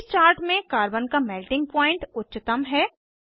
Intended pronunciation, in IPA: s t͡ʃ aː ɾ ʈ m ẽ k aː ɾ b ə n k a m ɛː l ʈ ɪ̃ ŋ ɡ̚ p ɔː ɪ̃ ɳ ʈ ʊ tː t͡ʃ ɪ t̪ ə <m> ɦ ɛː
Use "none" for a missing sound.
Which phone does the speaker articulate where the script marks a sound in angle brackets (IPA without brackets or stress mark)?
m